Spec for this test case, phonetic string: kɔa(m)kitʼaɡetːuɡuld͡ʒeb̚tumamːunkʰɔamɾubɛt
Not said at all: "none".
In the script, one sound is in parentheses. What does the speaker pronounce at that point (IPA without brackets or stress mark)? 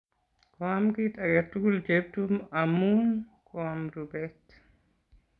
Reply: m